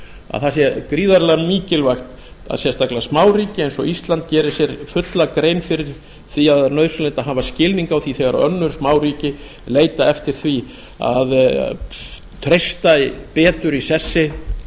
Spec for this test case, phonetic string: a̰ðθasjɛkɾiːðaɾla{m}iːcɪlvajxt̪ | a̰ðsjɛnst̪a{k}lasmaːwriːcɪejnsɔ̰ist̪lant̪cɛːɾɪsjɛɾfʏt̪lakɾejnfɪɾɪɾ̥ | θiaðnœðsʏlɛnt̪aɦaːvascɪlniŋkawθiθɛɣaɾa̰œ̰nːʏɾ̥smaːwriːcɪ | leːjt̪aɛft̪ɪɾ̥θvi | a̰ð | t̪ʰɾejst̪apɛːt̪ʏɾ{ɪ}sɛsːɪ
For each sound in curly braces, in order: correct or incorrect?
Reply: correct, correct, incorrect: i

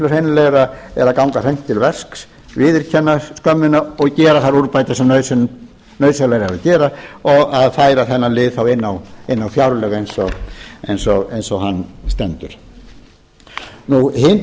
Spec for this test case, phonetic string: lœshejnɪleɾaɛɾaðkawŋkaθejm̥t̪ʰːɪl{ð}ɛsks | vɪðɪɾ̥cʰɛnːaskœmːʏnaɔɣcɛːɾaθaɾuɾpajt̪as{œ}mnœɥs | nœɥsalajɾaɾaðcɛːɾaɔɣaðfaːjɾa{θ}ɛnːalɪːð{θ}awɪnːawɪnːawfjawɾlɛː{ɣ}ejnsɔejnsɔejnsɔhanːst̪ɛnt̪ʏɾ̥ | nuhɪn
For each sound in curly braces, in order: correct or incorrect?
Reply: incorrect: v, incorrect: ɛ, correct, correct, correct

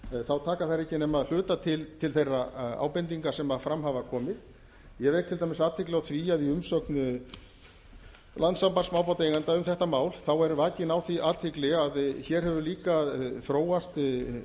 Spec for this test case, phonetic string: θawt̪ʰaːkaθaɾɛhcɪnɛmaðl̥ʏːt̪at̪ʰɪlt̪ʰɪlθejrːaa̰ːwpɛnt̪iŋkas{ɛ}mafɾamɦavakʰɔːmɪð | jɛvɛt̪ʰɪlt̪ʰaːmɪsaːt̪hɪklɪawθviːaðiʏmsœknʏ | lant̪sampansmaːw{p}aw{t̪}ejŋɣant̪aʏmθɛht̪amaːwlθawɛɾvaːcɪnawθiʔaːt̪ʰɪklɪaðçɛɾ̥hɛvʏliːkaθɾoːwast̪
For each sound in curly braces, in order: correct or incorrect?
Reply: correct, correct, correct

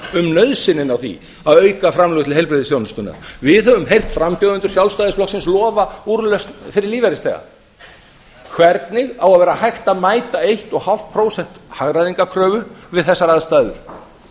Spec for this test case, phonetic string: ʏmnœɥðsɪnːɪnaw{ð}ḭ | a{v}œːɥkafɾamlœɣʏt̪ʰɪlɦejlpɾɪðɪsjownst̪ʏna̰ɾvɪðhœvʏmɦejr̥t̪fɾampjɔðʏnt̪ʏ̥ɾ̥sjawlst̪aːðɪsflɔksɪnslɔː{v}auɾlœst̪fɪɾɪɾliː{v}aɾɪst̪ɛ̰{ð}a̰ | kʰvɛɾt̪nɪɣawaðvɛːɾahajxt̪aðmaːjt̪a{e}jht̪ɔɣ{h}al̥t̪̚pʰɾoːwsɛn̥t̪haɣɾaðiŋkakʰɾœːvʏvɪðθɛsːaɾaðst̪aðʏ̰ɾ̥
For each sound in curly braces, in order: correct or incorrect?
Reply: incorrect: θ, incorrect: ð, correct, correct, incorrect: ɣ, correct, correct

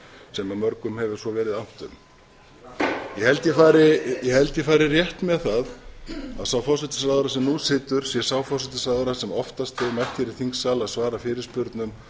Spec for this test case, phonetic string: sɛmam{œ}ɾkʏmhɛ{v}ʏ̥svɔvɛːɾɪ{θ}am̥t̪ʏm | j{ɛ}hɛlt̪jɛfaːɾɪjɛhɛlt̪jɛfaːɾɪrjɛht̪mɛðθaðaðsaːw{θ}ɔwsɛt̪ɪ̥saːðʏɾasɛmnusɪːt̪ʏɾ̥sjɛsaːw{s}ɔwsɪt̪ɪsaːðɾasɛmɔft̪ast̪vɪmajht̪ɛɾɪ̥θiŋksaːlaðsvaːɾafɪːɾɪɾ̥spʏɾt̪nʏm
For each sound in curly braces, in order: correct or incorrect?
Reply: correct, correct, incorrect: ð, correct, incorrect: f, incorrect: f

